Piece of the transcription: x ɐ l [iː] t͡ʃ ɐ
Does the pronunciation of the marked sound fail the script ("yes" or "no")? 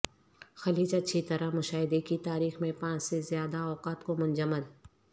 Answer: no